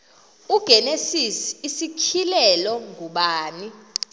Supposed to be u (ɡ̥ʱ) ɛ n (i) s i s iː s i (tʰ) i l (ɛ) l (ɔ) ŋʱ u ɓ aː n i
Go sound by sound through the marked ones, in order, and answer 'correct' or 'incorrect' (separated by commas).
correct, incorrect, incorrect, correct, correct